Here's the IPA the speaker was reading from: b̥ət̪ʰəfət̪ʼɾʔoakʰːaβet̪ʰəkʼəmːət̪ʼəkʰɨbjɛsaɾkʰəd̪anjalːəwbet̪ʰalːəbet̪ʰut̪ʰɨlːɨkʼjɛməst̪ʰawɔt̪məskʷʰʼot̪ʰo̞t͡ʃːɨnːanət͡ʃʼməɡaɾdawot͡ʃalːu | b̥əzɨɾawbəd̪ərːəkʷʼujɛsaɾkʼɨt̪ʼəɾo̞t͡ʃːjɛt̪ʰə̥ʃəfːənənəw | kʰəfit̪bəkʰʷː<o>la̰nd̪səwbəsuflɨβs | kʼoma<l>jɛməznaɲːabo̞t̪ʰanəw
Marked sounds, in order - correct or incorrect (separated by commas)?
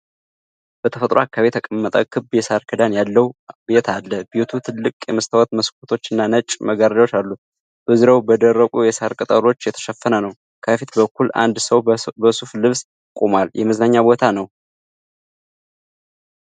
incorrect, correct